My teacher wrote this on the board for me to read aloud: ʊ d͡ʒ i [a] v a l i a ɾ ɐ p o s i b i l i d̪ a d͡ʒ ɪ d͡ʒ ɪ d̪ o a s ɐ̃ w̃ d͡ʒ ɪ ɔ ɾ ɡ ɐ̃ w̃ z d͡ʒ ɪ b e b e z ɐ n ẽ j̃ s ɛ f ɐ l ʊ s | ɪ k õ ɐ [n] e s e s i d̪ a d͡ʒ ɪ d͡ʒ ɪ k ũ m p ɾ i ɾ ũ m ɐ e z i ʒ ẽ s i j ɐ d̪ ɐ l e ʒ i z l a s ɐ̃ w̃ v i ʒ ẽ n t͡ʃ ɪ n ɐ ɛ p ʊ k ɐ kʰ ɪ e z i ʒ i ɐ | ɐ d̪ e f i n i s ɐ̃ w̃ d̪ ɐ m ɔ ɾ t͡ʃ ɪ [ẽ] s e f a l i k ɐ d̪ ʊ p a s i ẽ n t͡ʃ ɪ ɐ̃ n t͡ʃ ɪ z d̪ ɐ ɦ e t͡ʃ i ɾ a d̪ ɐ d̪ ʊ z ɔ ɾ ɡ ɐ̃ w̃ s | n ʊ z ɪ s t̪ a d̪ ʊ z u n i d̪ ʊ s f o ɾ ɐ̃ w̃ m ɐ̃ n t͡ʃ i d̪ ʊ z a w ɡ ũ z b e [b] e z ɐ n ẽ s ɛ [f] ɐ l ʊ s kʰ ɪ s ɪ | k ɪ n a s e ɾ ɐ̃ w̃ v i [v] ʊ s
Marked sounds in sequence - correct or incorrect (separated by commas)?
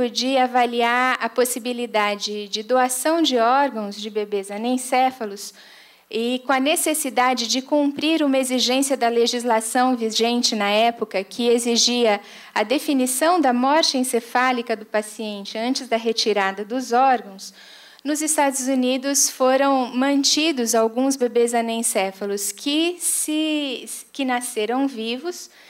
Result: correct, correct, correct, correct, correct, correct